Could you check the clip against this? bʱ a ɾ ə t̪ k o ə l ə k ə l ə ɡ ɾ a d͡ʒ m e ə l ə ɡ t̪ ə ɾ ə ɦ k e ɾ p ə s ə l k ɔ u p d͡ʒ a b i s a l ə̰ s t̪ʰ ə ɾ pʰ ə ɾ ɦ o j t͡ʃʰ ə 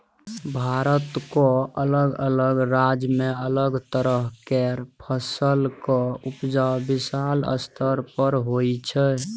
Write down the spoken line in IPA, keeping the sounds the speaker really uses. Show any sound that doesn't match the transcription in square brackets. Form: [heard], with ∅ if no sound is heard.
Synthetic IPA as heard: bʱ a ɾ ə t̪ k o ə l ə [ɡ] ə l ə ɡ ɾ a d͡ʒ m e ə l ə ɡ t̪ ə ɾ ə ɦ k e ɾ [pʰ] ə s ə l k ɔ u p d͡ʒ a b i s a l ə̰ s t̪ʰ ə ɾ [p] ə ɾ ɦ o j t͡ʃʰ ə